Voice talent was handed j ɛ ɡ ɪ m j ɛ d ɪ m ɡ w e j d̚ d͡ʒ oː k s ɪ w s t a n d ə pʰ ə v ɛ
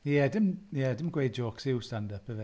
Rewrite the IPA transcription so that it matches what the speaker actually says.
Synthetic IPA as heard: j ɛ d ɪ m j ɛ d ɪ m ɡ w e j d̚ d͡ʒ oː k s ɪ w s t a n d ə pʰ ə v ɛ